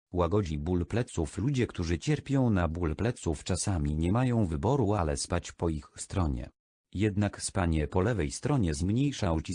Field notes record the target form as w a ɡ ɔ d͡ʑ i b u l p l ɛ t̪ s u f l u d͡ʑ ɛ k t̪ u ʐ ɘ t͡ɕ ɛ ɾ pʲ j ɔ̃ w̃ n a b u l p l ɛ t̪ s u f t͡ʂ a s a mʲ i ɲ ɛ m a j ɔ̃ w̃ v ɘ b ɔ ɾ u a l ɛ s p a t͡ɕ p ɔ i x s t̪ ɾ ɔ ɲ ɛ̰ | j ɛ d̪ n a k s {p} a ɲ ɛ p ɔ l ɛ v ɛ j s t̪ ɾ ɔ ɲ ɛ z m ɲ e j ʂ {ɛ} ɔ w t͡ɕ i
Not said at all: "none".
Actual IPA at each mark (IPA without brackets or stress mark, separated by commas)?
p, a